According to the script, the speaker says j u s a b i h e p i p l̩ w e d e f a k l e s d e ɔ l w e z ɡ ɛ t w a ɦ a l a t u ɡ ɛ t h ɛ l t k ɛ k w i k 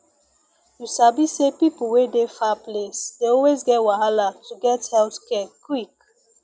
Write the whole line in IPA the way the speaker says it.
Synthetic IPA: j u s a b i s e p i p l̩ w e d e f a p l e s d e ɔ l w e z ɡ ɛ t w a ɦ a l a t u ɡ ɛ t h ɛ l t k ɛ k w i k